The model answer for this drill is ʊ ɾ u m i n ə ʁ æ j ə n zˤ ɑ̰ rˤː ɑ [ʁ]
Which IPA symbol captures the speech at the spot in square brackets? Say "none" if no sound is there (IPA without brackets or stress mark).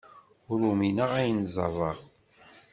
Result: ʁ